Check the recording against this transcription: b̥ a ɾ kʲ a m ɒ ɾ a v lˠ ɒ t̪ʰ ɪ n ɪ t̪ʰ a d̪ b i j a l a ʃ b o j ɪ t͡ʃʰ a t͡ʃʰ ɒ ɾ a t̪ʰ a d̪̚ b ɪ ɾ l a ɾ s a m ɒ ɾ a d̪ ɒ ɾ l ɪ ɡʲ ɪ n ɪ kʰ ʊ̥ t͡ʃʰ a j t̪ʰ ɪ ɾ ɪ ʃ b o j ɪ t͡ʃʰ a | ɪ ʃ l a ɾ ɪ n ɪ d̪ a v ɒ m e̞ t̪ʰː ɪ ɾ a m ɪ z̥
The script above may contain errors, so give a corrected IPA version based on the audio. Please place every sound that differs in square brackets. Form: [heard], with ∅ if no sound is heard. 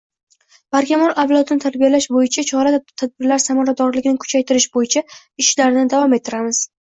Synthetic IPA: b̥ a ɾ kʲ a m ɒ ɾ a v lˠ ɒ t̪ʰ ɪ n ɪ t̪ʰ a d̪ b i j a l a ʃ b o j ɪ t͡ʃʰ a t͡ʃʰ ɒ ɾ a t̪ʰ a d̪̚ b ɪ ɾ l a ɾ s a m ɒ ɾ a d̪ ɒ ɾ l ɪ ɡʲ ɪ n ɪ kʰ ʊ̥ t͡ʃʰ a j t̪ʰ ɪ ɾ ɪ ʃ b o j ɪ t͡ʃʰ a | ɪ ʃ l a ɾ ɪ n ɪ d̪ a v ɒ m e̞ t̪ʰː ɪ ɾ a m ɪ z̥